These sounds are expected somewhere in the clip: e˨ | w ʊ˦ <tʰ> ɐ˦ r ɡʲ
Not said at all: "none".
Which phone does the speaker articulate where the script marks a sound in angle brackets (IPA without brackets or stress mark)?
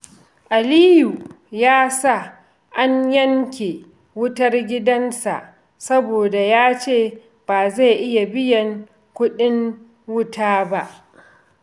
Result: t